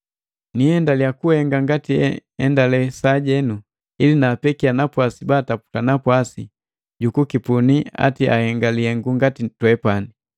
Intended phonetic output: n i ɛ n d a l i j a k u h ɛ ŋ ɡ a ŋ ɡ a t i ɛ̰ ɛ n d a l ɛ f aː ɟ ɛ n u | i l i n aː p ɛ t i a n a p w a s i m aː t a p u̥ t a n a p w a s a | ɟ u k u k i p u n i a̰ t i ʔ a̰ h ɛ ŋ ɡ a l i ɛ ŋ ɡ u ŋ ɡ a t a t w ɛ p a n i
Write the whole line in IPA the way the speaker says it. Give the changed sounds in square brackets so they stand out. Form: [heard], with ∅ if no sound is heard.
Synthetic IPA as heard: n i ɛ n d a l i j a k u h ɛ ŋ ɡ a ŋ ɡ a t i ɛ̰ ɛ n d a l ɛ [s] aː ɟ ɛ n u | i l i n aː p ɛ [k] i a n a p w a s i [b] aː t a p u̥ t a n a p w a s [i] | ɟ u k u k i p u n i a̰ t i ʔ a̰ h ɛ ŋ ɡ a l i ɛ ŋ ɡ u ŋ ɡ a t [i] t w ɛ p a n i